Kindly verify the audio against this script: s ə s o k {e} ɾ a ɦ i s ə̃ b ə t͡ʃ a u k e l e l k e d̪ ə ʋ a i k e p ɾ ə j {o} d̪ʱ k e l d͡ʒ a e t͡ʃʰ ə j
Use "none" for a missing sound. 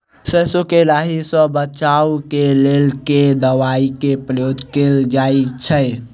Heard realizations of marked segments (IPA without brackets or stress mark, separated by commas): e, o